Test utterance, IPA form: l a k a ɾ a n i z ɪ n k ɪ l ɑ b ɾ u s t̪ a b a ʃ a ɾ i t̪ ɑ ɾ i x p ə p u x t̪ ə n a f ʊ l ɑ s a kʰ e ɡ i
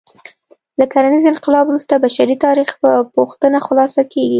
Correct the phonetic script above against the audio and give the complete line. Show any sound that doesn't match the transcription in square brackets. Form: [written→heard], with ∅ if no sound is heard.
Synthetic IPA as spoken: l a k a ɾ a n i z ɪ n [k→q] ɪ l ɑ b ɾ u s t̪ a b a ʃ a ɾ i t̪ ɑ ɾ i x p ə p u x t̪ ə n a [f→x] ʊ l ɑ s a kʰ e ɡ i